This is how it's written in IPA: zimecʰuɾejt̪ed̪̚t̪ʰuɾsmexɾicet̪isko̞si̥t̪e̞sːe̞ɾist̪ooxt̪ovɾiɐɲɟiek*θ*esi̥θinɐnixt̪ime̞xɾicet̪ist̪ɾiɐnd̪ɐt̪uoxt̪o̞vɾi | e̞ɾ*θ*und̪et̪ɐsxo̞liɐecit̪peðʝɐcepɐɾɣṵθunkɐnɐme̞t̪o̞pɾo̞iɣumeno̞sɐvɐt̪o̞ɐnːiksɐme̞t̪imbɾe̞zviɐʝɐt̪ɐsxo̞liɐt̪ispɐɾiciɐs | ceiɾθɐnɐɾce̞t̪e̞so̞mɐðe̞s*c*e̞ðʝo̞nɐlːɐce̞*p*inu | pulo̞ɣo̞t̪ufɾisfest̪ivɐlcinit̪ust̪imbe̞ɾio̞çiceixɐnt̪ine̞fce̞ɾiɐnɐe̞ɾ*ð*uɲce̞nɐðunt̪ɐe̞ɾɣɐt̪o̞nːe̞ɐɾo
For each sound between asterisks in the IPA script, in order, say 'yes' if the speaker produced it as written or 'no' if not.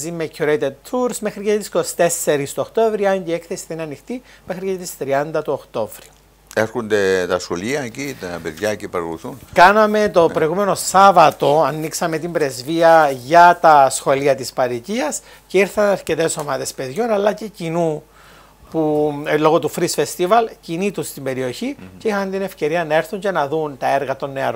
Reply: yes, no, no, no, no

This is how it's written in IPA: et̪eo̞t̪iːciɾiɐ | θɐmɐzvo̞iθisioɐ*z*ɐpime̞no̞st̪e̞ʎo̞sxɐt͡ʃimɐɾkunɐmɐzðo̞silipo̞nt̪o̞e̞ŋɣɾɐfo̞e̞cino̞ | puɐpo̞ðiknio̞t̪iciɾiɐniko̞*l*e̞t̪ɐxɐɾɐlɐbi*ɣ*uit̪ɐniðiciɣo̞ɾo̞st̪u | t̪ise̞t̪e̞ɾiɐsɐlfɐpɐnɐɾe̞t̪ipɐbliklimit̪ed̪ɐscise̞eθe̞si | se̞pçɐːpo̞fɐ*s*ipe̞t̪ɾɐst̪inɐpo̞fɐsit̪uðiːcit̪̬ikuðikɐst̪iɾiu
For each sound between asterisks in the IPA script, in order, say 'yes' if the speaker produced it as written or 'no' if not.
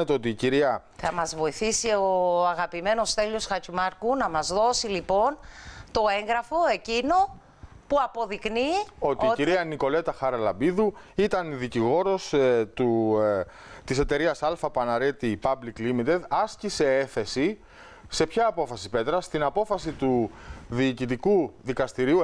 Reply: no, yes, no, yes

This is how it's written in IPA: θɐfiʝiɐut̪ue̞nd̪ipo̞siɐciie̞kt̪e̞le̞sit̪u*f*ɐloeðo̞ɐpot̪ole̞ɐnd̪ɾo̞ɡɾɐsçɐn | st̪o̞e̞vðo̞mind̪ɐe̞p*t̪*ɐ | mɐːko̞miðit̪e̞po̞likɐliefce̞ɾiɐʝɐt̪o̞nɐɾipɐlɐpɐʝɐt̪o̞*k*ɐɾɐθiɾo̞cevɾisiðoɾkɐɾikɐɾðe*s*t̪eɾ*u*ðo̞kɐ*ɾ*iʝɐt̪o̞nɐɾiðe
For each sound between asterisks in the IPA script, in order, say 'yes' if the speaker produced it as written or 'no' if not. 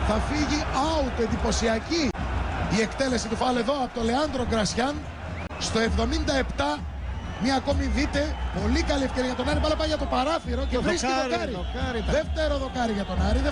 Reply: yes, yes, no, no, no, yes

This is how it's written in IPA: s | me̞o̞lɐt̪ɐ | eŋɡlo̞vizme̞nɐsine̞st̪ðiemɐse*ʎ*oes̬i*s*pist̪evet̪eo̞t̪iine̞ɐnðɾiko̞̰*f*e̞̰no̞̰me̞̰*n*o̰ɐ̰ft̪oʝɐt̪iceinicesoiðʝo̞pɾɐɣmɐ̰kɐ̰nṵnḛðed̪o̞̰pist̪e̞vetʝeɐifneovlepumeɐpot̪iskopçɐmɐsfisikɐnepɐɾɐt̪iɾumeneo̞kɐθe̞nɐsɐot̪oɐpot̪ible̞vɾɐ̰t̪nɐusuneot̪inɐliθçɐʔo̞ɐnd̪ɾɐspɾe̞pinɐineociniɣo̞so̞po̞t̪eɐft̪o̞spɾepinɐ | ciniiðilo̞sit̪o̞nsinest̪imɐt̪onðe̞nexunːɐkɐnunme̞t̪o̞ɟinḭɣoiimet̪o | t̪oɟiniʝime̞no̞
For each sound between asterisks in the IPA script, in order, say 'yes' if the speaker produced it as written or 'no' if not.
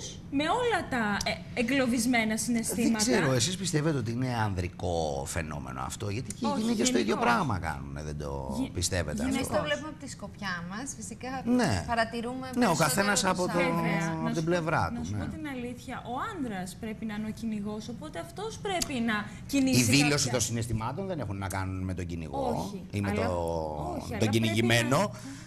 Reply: no, yes, yes, yes

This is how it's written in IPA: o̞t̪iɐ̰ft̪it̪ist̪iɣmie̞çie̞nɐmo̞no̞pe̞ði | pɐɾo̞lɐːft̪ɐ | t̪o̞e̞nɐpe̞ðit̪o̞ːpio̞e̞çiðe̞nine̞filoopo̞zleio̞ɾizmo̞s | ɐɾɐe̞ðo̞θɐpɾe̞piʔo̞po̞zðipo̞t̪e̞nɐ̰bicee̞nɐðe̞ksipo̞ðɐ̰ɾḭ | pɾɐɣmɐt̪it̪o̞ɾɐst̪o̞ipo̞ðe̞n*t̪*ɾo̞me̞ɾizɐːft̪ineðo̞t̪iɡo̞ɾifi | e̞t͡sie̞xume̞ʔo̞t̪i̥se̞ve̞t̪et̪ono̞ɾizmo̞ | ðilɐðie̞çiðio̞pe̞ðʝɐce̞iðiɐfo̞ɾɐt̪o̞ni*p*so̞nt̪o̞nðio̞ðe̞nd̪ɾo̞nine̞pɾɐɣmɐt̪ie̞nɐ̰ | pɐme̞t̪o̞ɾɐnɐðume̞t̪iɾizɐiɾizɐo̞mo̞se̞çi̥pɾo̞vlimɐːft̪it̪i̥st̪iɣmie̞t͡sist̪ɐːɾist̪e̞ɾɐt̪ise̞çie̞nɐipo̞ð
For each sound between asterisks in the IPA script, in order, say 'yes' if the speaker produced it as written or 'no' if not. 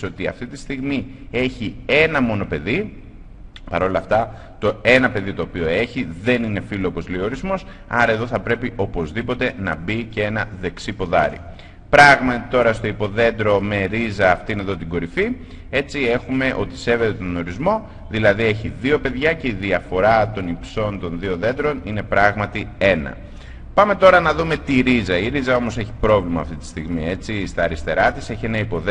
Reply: no, yes

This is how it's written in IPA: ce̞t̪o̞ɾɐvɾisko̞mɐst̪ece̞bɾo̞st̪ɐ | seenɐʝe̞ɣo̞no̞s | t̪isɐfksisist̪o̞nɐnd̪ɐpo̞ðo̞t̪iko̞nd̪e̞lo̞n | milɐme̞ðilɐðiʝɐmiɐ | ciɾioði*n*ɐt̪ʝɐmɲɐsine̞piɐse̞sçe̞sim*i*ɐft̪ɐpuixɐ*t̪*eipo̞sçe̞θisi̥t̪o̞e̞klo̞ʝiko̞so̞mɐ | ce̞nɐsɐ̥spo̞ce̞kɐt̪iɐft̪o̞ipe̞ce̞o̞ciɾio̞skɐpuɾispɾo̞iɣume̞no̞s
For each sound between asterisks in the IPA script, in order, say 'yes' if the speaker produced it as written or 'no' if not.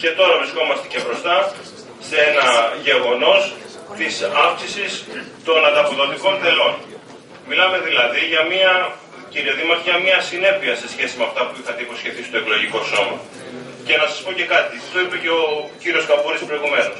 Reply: no, no, yes

